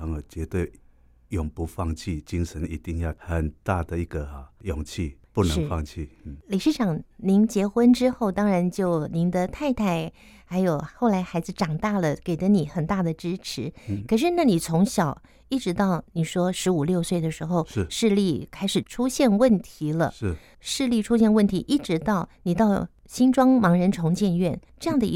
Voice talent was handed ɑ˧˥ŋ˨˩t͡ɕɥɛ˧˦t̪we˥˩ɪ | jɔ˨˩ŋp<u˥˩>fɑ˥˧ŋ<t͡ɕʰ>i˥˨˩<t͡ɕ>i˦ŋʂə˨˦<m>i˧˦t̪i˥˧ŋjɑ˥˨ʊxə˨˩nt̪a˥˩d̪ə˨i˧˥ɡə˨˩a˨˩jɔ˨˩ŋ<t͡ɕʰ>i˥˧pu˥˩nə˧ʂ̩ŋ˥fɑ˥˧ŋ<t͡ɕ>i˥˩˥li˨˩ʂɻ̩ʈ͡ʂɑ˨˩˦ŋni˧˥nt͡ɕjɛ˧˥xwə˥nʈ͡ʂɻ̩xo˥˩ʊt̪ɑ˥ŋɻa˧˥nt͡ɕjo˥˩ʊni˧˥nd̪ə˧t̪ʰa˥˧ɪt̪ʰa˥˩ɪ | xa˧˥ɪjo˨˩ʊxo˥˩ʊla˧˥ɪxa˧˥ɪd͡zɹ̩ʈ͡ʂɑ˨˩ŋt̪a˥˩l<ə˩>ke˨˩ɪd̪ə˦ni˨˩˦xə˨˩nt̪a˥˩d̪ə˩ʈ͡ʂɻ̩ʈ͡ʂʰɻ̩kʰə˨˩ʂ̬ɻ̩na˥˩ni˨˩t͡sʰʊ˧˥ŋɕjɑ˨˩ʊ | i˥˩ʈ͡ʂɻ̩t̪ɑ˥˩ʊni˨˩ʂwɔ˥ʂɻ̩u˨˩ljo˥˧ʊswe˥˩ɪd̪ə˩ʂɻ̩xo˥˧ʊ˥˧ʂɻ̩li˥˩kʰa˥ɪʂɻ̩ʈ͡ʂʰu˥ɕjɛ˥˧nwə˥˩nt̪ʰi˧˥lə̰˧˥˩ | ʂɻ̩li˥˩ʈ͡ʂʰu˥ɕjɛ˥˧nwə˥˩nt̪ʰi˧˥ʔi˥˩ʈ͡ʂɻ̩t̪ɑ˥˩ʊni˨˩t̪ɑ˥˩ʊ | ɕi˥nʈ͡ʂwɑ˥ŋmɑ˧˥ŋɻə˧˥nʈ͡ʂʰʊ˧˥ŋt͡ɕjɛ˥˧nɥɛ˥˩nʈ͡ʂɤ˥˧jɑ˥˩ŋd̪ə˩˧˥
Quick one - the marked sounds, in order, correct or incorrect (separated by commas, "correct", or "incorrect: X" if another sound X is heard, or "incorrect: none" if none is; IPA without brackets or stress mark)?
incorrect: u˨˦, correct, correct, incorrect: n, correct, incorrect: t͡ɕʰ, correct